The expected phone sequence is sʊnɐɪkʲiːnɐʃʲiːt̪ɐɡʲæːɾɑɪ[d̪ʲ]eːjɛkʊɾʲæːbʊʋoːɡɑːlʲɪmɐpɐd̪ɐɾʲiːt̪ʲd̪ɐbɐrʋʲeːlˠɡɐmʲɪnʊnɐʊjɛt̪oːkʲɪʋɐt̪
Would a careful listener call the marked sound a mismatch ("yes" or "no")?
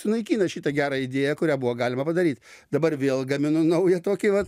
no